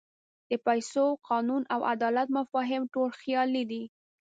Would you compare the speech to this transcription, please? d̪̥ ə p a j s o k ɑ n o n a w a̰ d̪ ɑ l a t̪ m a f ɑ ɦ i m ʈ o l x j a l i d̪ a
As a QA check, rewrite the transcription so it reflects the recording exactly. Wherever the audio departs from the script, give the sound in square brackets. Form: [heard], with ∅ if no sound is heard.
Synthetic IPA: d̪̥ ə p a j s o [q] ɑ n [u] n a w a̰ d̪ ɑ l a t̪ m a f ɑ ɦ [ɪ] m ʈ o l x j [ɑ] l i d̪ [i]